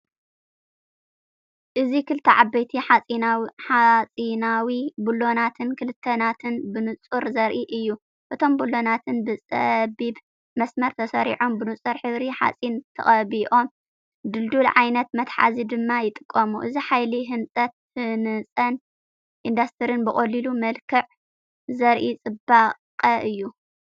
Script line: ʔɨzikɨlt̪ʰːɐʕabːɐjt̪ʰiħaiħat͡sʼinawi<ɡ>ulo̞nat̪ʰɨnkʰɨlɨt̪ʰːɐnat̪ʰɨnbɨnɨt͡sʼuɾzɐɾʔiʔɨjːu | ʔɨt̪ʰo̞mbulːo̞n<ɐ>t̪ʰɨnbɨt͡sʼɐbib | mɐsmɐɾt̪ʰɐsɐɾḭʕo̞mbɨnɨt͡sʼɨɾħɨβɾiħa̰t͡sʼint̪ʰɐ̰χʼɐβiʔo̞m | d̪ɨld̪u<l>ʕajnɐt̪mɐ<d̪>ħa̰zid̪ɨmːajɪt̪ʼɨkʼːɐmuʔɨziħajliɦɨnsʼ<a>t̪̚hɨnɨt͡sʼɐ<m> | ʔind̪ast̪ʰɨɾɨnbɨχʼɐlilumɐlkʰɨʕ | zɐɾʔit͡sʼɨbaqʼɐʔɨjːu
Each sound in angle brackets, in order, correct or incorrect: incorrect: b, incorrect: a, correct, incorrect: t̪, incorrect: ɐ, incorrect: n

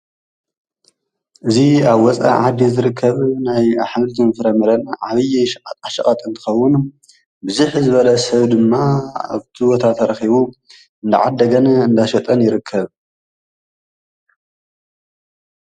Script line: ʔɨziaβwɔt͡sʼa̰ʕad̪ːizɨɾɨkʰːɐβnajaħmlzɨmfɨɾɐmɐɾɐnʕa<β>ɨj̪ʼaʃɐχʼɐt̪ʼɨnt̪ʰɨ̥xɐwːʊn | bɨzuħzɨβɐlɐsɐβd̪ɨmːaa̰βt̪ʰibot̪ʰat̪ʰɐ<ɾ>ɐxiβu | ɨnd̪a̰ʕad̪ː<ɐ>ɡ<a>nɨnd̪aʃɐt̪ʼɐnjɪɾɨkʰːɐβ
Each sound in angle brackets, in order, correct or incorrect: correct, correct, correct, incorrect: ɐ

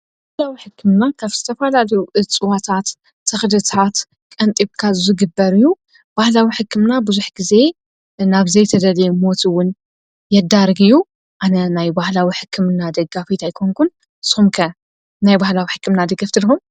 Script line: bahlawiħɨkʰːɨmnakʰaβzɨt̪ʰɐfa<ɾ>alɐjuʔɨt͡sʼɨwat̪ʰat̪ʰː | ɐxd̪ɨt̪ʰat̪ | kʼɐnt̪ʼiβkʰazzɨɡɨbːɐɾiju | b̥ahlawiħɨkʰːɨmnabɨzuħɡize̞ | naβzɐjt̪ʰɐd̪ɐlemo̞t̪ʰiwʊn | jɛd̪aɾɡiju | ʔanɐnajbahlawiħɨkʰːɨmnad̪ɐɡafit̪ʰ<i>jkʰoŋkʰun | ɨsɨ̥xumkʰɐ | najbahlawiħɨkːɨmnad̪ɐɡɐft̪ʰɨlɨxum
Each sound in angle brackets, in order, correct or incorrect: incorrect: l, incorrect: a

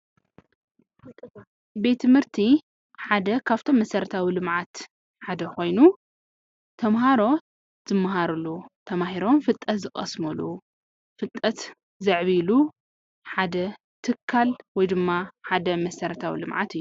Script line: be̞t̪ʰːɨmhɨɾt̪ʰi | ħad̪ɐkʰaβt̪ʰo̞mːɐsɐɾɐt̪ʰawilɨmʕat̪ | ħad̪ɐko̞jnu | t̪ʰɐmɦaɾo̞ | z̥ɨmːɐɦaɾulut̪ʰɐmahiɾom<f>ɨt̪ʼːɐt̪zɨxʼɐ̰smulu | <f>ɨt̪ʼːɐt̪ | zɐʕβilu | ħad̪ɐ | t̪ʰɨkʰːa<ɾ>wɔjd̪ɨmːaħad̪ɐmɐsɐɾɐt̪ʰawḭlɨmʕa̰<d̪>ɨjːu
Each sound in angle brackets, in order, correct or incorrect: correct, correct, incorrect: l, incorrect: t̪

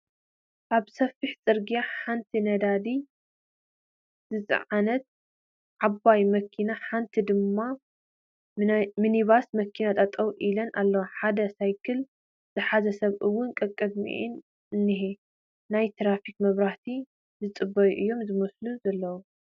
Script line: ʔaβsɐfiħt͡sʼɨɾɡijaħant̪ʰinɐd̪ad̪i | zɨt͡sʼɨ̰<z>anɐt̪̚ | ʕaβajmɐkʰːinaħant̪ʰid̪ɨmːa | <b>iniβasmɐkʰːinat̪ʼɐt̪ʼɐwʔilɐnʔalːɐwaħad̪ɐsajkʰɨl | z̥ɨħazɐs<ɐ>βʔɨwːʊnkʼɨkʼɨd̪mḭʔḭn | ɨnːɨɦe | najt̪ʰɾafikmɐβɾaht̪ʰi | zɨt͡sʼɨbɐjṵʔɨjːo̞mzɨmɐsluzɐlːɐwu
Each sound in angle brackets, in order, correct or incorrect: incorrect: ʕ, incorrect: m, correct

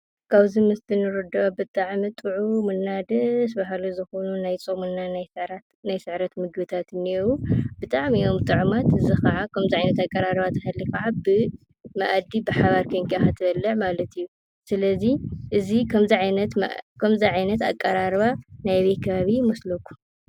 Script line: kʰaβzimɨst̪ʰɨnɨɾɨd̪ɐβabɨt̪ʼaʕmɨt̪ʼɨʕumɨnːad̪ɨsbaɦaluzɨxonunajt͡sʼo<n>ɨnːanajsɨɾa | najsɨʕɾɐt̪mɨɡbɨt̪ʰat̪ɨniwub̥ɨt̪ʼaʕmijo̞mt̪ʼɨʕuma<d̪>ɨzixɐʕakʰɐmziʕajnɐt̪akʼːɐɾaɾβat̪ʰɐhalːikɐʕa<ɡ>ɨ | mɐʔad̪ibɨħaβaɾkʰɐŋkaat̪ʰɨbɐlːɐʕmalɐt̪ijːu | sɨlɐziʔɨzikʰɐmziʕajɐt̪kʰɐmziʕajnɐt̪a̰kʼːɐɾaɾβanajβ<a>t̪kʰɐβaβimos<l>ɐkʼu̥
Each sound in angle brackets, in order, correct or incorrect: incorrect: m, incorrect: t̪, incorrect: b, incorrect: e, correct

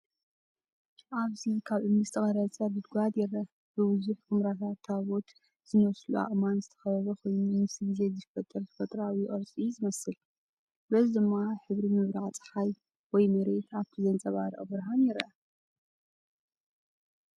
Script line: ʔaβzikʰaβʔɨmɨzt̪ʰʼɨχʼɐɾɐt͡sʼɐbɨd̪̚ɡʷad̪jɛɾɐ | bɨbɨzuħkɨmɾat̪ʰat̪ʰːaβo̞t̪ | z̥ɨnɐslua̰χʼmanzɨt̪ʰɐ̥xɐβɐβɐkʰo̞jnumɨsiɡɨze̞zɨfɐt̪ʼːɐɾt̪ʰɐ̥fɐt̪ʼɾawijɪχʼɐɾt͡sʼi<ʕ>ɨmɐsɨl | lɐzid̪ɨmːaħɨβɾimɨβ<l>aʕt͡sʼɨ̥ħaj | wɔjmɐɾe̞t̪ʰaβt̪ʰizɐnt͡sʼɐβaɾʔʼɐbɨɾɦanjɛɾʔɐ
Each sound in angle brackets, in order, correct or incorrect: incorrect: z, incorrect: ɾ

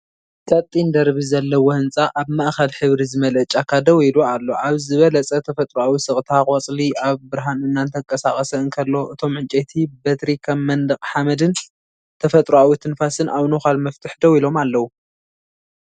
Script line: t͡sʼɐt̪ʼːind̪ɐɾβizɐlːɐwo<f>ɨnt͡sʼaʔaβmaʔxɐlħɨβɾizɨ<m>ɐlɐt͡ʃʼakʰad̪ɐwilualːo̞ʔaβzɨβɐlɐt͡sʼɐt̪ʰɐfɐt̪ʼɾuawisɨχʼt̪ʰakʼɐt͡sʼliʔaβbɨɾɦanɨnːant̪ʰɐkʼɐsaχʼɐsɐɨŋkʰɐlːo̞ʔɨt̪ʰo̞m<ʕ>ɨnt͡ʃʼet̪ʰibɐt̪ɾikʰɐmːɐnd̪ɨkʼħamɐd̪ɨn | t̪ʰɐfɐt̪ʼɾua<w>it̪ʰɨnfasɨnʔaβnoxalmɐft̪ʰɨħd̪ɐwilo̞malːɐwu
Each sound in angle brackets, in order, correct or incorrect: incorrect: h, correct, correct, correct

